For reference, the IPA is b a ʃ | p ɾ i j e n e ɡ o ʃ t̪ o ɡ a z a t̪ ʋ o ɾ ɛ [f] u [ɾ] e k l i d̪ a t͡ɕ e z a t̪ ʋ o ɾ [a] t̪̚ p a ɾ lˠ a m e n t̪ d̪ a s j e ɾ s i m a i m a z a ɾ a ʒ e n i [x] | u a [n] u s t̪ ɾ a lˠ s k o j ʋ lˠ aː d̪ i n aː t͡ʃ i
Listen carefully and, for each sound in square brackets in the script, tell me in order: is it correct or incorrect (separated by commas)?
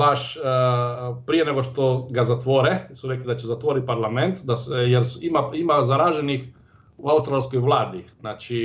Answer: incorrect, correct, incorrect, correct, incorrect